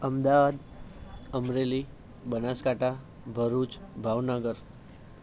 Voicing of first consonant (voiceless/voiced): voiced